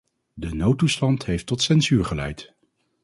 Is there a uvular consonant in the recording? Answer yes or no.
yes